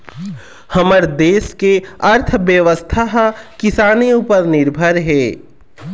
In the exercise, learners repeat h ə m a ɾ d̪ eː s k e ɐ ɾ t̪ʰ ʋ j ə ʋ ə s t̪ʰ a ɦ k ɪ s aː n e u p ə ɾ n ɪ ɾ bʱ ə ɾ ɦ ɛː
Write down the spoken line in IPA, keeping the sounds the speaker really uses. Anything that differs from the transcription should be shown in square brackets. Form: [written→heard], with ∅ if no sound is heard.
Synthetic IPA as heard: h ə m [a→ə] ɾ d̪ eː s k e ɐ ɾ t̪ʰ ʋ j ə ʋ ə s t̪ʰ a ɦ k ɪ s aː n e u p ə ɾ n ɪ ɾ bʱ ə ɾ ɦ ɛː